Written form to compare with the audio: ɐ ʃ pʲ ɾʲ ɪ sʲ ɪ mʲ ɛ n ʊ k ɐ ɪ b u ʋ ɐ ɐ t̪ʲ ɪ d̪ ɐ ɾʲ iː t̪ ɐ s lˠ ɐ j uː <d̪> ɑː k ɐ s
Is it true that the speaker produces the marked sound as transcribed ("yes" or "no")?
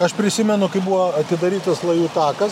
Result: no